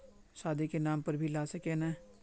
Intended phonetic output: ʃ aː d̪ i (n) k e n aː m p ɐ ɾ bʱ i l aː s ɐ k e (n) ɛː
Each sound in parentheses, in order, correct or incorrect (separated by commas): incorrect, correct